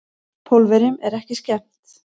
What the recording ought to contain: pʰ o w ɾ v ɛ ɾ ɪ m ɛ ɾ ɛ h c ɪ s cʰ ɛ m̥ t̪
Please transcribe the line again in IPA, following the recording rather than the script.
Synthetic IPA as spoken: pʰ o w l v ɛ ɾ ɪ m ɛ ɾ ɛ h c ɪ s c ɛ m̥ t̪